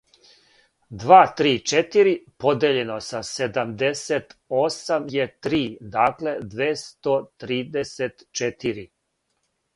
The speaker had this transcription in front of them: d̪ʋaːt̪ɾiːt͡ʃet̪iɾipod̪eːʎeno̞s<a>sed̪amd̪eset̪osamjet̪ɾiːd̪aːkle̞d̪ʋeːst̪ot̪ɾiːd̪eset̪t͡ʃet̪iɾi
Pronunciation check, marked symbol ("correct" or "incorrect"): correct